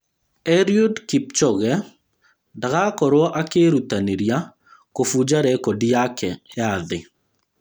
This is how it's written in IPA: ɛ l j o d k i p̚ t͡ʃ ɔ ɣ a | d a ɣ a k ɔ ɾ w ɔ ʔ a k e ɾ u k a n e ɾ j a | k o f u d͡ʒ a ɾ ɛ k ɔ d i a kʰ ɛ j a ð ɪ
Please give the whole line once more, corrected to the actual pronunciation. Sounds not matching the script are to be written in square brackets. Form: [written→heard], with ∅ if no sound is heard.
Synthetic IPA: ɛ [l→ɾ] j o d k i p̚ t͡ʃ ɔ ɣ [a→ɛ] | d a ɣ a k ɔ ɾ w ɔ ʔ a k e ɾ u [k→t] a n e ɾ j a | k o f u d͡ʒ a ɾ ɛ k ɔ d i a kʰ ɛ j a ð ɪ

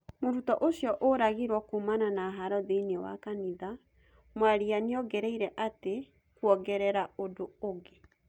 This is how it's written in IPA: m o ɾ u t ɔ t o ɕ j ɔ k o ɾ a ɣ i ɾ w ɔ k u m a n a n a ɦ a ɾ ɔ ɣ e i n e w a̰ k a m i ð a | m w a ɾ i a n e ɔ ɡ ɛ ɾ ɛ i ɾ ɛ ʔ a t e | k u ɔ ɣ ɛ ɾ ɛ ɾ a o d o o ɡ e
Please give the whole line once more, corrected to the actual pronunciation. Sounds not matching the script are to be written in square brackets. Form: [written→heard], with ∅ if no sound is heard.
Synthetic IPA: m o ɾ u t ɔ [t→ʔ] o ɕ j ɔ [k→ʔ] o ɾ a ɣ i ɾ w ɔ k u m a n a n a ɦ a ɾ ɔ [ɣ→ð] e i n e w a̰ k a [m→n] i ð a | m w a ɾ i a n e ɔ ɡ ɛ ɾ ɛ i ɾ ɛ ʔ a t e | k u ɔ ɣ ɛ ɾ ɛ ɾ a o d o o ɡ e

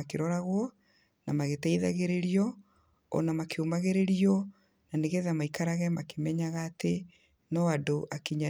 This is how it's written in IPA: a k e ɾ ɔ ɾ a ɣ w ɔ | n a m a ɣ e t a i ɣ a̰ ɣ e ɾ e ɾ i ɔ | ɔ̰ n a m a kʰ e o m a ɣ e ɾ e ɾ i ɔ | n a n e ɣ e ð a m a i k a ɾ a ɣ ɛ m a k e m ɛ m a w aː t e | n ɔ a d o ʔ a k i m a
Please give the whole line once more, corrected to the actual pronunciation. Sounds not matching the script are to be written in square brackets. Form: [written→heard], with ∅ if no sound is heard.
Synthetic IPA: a k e ɾ ɔ ɾ a ɣ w ɔ | n a m a ɣ e t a i [ɣ→ð] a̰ ɣ e ɾ e ɾ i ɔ | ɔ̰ n a m a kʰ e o m a ɣ e ɾ e ɾ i ɔ | n a n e ɣ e ð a m a i k a ɾ a ɣ ɛ m a k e m ɛ [m→ɲ] a [w→ɣ] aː t e | n ɔ a d o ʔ a k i [m→ɲ] a

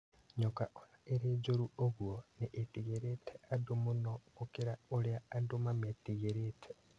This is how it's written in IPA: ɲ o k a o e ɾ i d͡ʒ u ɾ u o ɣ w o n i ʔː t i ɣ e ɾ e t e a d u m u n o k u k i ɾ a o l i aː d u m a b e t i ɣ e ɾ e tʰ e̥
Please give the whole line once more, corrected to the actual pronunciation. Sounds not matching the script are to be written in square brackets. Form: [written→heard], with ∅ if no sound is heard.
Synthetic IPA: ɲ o k a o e ɾ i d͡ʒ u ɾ u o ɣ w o n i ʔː t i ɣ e ɾ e t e a d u m u n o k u k i ɾ a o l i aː d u m a [b→m] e t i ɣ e ɾ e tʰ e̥

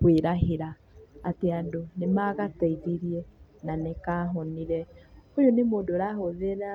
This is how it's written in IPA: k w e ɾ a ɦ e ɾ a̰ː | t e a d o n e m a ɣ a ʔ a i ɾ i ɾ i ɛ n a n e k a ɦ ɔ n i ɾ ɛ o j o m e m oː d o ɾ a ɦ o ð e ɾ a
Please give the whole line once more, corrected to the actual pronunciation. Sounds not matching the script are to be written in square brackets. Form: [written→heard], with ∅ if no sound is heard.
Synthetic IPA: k w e ɾ a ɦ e ɾ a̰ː | t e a d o n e m a ɣ a [ʔ→t] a i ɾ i ɾ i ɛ n a n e k a ɦ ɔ n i ɾ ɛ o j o [m→n] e m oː d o ɾ a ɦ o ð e ɾ a

